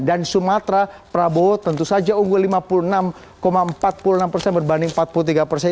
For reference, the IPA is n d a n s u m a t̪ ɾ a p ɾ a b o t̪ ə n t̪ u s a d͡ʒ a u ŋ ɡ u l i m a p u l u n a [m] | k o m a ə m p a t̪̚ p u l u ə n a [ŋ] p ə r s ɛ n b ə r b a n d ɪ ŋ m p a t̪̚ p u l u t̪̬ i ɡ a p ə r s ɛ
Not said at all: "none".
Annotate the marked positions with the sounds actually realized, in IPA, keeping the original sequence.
m, m

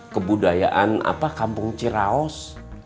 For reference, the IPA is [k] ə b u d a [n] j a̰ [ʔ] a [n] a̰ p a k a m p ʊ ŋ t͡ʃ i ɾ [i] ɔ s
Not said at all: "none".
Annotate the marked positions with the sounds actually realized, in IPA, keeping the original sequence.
k, none, ʔ, n, a

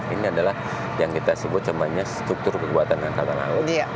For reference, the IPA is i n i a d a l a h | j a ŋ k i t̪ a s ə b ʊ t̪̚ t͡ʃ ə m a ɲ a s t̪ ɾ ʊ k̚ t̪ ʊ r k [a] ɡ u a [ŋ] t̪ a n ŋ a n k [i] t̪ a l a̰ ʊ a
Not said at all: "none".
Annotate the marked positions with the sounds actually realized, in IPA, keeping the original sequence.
ə, none, a

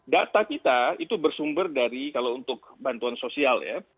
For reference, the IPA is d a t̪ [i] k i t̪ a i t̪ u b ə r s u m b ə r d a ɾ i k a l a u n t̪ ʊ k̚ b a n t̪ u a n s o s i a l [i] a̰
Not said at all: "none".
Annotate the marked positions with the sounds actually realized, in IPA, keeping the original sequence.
a, j

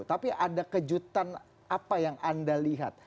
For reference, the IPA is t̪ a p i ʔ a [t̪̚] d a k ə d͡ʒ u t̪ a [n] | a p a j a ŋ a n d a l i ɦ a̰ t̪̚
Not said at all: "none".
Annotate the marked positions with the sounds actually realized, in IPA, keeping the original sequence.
none, n

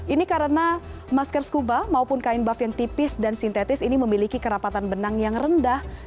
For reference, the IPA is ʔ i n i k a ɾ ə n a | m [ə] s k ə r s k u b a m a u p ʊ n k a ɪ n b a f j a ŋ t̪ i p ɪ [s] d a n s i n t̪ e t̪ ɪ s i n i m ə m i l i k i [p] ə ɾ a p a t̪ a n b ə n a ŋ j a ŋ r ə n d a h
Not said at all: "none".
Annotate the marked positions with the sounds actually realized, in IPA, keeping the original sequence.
a, s, k

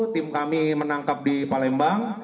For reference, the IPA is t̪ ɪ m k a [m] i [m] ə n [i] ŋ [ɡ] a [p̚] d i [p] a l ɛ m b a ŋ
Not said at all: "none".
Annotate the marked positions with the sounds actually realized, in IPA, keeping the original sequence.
m, m, a, k, p̚, p

